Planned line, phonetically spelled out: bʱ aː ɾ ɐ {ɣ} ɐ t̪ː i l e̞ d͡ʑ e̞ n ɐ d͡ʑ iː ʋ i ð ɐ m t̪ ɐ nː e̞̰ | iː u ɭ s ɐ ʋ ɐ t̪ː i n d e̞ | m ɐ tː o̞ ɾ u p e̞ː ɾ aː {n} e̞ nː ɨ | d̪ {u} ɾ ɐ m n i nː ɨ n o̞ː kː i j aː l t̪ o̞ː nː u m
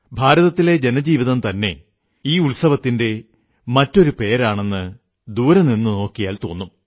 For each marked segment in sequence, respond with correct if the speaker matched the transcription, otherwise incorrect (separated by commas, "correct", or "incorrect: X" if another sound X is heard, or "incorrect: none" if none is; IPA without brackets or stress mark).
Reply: incorrect: ð, incorrect: ɳ, incorrect: uː